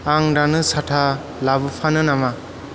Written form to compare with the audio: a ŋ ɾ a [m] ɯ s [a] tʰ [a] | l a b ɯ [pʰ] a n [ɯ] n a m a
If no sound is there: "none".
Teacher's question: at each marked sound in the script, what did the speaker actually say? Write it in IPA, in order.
n, a, a, pʰ, ɯ

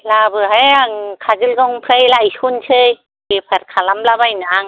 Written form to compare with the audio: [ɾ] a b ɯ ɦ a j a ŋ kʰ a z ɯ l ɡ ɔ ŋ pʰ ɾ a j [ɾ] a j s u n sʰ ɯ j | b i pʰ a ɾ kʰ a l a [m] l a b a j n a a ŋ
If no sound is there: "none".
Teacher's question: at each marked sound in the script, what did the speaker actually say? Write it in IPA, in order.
l, l, m

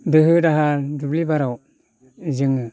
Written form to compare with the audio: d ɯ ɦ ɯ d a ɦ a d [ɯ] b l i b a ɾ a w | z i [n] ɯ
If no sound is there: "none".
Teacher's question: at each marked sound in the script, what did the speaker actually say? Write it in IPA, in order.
u, ŋ

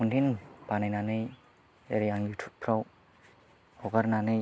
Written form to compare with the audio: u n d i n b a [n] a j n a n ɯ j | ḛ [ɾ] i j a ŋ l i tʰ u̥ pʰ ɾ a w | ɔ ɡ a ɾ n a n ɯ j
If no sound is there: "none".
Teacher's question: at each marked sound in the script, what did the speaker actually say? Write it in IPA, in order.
n, ɾ

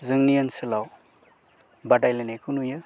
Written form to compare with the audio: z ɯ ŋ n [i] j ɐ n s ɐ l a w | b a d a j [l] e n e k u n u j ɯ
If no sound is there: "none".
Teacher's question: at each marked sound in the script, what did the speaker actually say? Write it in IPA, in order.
i, l

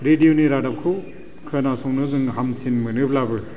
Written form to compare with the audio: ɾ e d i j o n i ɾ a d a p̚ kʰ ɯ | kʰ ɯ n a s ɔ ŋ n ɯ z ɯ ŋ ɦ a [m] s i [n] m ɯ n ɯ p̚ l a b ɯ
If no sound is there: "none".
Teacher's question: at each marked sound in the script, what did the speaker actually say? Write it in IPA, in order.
m, n

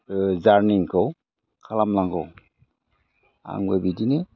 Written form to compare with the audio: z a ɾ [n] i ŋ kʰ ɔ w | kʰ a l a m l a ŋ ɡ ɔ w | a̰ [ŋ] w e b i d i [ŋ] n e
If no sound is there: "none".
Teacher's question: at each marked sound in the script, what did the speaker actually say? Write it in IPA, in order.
n, ŋ, none

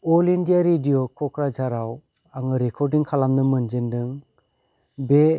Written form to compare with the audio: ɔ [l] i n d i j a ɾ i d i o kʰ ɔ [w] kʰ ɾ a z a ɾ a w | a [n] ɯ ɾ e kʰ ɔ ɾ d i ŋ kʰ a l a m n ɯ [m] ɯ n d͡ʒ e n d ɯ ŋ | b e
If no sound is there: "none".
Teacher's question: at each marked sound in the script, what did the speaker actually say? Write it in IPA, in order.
l, none, ŋ, m

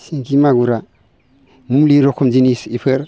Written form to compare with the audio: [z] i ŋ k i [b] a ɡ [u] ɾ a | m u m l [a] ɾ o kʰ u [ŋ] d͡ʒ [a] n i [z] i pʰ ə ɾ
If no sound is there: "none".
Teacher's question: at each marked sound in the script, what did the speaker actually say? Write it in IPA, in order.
s, m, u, i, m, i, s

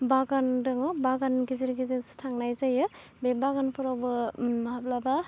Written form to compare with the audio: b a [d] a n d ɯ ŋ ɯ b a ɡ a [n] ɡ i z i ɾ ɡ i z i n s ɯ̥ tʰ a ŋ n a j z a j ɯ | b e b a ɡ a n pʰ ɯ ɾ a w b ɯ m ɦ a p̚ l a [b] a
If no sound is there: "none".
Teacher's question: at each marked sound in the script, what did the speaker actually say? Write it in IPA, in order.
ɡ, n, b

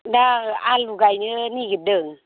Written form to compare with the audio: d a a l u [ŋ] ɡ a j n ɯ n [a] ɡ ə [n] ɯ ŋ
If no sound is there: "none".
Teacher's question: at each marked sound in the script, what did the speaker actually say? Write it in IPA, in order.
none, i, d

